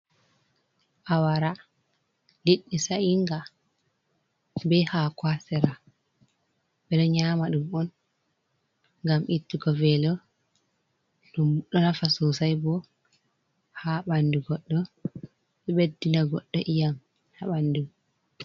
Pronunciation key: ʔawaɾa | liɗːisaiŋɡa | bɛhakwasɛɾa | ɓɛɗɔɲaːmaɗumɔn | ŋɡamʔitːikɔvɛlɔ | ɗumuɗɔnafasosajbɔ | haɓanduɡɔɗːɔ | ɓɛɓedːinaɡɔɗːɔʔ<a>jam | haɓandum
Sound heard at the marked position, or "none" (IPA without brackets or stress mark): i